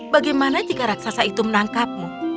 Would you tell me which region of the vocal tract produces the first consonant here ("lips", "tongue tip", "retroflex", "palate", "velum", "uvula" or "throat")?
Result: lips